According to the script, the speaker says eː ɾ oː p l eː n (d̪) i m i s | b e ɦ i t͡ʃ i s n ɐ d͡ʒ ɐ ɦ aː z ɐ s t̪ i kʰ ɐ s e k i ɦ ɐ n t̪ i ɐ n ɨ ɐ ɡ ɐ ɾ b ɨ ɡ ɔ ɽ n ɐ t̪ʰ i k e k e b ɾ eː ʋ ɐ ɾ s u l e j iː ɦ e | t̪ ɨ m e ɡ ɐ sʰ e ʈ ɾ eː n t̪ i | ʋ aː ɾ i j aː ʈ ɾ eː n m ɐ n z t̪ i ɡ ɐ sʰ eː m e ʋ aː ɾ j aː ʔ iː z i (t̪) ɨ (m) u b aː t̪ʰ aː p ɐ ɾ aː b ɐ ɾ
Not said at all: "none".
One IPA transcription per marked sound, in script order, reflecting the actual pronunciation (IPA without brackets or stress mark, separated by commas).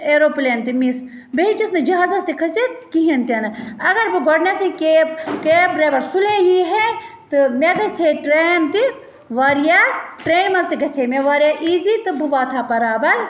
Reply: t̪, t̪, b